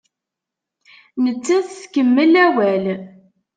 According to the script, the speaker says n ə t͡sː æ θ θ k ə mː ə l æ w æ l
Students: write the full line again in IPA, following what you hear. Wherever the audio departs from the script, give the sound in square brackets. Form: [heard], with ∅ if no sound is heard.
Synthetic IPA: n ə t͡sː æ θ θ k ə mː ə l æ w æ l